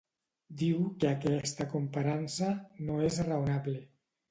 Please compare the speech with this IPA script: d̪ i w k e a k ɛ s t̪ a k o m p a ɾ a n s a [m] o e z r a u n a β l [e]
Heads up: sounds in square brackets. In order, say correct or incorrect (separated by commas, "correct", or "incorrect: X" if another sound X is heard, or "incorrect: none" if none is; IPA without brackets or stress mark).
incorrect: n, correct